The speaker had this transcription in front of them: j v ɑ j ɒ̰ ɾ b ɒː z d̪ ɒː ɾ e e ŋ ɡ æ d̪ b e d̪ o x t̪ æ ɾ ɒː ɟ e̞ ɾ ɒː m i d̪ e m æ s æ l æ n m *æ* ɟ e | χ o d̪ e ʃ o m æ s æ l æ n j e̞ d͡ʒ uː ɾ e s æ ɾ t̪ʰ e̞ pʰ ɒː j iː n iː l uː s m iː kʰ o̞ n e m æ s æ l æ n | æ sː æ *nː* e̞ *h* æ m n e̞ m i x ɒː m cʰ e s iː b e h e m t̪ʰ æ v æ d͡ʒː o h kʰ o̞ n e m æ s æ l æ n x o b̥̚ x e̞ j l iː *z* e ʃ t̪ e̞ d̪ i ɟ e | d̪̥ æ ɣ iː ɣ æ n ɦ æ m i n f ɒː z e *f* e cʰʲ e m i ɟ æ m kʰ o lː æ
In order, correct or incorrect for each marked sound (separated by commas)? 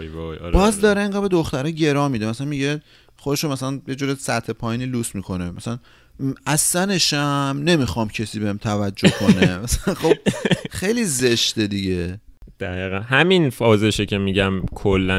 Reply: incorrect, incorrect, incorrect, correct, incorrect